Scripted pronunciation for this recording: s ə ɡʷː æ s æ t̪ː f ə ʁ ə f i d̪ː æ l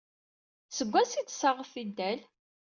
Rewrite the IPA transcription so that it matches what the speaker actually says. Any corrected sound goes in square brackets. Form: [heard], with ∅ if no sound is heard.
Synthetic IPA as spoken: s ə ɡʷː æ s [i] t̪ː [s] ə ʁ ə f i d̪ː æ l